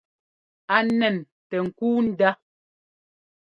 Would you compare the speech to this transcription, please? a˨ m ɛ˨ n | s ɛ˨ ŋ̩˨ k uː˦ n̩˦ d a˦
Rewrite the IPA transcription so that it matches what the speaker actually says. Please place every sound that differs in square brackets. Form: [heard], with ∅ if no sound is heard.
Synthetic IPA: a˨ [n] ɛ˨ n | [t] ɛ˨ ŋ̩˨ k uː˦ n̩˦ d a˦

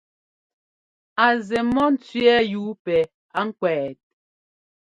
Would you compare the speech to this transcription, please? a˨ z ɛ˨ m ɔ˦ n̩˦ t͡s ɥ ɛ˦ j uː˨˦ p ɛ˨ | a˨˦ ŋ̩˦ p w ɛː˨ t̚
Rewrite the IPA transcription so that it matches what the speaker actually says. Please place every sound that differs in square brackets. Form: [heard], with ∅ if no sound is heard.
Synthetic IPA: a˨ z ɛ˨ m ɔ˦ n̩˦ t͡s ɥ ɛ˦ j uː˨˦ p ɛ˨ | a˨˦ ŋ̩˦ [k] w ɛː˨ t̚

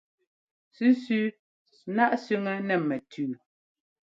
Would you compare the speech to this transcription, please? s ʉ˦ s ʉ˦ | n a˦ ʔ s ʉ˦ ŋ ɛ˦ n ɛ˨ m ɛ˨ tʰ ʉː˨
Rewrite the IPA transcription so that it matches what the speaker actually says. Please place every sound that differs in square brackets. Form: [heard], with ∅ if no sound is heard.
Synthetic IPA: s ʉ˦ s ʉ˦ | n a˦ ʔ s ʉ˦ ŋ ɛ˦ n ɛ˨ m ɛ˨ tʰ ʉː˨

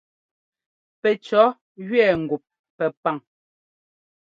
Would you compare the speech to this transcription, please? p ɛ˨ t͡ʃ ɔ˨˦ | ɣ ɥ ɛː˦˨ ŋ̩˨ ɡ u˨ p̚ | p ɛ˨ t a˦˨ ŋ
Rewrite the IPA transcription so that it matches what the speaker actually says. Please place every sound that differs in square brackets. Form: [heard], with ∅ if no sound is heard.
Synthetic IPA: p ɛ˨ t͡ʃ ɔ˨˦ | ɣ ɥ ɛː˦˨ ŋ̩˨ ɡ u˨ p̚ | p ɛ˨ [p] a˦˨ ŋ

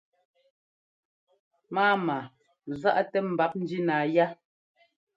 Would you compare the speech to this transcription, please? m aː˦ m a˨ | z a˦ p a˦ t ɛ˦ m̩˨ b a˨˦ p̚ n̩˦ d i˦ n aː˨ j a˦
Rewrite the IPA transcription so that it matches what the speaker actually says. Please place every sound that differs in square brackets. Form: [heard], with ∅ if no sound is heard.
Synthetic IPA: m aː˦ m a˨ | z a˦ [ʔ] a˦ t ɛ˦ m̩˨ b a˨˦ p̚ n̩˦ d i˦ n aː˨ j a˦

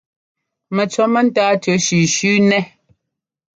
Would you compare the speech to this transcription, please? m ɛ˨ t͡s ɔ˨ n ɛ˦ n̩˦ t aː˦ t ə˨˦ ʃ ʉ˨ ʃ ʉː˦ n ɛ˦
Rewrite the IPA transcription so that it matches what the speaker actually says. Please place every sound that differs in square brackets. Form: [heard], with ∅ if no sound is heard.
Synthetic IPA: m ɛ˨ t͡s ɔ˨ [m] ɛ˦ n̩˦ t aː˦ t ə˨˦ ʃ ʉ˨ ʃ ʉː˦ n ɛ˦

